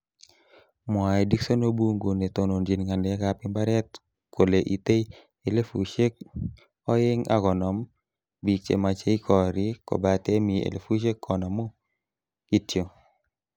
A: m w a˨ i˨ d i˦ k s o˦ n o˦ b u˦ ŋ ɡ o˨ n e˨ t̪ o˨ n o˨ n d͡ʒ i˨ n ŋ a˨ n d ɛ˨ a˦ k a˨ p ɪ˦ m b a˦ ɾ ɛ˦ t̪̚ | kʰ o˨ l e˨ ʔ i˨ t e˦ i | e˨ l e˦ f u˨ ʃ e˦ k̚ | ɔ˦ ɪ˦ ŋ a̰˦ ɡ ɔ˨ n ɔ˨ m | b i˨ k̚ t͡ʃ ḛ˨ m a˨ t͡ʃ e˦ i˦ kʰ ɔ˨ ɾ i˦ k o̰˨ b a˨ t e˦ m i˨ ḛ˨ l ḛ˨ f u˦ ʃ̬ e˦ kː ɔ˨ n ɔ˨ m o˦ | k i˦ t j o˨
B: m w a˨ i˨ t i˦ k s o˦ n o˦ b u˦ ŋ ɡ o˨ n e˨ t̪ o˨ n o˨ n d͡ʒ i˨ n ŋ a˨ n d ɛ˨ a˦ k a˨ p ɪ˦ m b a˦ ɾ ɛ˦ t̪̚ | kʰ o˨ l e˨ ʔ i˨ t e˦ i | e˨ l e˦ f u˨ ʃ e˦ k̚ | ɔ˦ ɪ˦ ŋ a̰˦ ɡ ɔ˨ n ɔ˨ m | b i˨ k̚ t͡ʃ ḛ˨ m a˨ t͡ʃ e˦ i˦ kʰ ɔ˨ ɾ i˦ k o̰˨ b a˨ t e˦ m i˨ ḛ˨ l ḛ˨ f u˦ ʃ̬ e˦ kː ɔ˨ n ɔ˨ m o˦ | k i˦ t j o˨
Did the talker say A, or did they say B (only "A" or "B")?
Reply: A